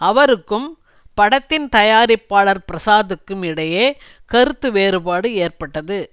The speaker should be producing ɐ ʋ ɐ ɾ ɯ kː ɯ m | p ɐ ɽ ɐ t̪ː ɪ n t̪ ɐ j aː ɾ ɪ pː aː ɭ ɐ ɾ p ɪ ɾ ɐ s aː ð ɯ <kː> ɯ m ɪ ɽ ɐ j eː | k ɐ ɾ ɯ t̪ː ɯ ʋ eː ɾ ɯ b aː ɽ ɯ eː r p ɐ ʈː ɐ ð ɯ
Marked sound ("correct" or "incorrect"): correct